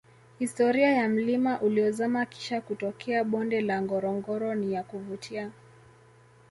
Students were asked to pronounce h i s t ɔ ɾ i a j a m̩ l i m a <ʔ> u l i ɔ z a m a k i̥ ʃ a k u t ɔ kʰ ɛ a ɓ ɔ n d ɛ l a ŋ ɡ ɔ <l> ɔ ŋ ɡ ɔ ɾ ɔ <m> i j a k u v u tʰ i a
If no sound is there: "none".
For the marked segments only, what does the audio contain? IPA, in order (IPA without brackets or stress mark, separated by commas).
ʔ, ɾ, n